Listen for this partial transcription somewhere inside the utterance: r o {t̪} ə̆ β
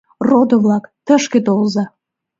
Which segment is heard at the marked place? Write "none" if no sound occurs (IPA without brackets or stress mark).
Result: d̪